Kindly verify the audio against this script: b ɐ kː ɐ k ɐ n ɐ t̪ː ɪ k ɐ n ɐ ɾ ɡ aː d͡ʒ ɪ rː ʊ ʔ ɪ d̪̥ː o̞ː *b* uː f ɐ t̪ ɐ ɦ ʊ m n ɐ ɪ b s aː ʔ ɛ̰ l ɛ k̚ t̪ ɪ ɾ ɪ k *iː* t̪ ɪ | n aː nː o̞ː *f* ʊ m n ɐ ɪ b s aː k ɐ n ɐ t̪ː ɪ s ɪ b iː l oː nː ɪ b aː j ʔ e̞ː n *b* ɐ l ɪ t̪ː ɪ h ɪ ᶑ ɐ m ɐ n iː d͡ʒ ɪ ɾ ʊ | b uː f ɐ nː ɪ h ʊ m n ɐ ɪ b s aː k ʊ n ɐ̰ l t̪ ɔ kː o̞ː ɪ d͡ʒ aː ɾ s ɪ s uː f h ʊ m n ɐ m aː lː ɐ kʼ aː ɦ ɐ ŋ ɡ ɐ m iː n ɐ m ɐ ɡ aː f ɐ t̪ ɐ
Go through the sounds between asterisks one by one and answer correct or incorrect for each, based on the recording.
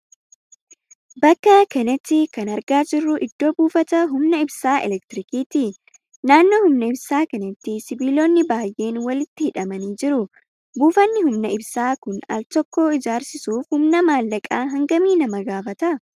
correct, correct, incorrect, incorrect

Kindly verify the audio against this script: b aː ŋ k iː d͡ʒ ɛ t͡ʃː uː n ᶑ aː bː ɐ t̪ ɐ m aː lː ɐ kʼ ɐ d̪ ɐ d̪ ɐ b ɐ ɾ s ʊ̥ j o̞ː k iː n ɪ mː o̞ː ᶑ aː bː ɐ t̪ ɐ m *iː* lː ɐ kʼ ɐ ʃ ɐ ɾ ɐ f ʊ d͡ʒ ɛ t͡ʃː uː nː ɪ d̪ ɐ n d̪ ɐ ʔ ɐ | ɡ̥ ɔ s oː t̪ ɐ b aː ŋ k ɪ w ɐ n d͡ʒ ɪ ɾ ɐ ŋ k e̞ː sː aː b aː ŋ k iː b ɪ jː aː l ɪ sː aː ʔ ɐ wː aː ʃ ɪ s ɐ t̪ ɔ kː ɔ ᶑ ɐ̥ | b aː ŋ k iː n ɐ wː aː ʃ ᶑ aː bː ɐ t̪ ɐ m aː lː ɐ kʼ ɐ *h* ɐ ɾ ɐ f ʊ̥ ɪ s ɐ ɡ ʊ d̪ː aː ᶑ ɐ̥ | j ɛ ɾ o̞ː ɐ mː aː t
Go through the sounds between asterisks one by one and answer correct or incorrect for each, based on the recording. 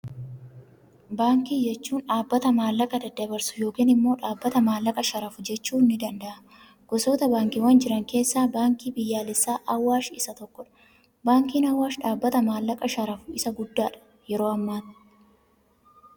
incorrect, incorrect

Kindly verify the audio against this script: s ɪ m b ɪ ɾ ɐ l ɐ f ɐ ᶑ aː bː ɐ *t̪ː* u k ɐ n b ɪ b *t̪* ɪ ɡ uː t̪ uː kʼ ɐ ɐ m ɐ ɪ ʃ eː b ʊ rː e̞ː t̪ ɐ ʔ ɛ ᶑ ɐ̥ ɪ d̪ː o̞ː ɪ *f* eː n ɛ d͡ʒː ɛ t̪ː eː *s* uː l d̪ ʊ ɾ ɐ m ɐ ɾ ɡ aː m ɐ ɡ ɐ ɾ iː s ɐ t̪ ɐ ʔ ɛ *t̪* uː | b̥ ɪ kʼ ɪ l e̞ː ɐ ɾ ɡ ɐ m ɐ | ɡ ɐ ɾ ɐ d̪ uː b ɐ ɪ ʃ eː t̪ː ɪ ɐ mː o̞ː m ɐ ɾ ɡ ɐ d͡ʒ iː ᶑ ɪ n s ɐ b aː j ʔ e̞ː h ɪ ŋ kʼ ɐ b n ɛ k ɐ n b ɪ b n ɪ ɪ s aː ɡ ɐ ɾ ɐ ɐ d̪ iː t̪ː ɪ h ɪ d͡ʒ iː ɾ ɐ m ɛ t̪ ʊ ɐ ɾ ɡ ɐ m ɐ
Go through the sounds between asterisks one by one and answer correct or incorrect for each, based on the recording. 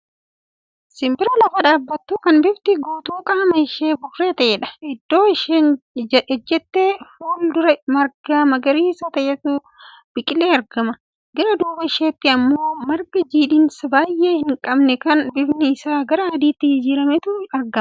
correct, correct, incorrect, incorrect, correct

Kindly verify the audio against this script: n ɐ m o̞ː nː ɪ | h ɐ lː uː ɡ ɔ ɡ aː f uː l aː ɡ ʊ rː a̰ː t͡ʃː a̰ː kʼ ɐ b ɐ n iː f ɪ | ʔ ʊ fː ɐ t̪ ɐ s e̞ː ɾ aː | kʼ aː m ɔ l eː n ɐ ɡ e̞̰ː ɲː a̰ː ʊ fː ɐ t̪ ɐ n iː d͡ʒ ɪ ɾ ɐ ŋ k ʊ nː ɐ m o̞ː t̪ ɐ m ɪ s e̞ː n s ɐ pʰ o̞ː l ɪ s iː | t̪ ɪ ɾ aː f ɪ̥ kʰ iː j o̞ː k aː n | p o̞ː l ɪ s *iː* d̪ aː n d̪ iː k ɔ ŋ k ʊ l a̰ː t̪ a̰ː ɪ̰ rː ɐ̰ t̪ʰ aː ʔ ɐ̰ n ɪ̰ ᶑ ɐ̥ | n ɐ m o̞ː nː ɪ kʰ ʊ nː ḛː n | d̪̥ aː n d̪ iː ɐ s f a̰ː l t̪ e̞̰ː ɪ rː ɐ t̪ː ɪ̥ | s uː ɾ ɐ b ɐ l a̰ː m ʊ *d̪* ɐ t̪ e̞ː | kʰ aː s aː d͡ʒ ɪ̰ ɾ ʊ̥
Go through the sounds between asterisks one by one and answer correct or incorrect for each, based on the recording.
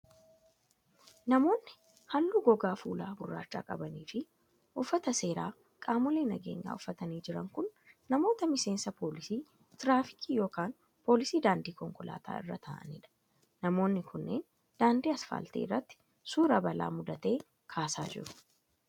correct, correct

